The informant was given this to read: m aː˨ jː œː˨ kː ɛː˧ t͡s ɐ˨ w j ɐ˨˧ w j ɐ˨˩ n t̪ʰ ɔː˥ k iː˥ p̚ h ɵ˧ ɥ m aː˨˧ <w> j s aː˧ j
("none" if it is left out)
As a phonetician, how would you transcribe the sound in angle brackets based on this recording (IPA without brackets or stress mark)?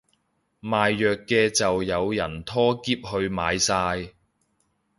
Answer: none